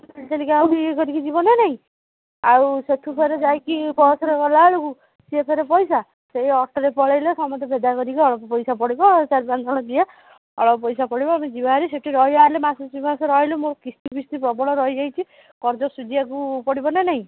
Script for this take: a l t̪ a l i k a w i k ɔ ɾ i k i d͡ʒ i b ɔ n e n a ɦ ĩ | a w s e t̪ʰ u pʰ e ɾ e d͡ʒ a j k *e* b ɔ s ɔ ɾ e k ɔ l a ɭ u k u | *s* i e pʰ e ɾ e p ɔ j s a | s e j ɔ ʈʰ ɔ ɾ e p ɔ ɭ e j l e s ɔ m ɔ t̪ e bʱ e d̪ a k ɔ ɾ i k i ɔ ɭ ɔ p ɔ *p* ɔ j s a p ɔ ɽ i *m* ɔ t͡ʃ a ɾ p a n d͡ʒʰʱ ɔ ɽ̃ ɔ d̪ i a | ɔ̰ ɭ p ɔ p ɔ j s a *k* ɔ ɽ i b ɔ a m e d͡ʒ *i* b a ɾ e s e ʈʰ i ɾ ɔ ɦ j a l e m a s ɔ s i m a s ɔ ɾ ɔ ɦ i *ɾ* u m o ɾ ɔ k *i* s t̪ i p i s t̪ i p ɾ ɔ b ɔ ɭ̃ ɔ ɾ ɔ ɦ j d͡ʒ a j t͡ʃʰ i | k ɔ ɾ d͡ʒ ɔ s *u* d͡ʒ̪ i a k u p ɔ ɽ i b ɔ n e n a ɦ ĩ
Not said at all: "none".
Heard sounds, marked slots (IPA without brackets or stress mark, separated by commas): i, s, p, b, p, i, l, i, u